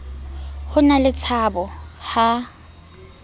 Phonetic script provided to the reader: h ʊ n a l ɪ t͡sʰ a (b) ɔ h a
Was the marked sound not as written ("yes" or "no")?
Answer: no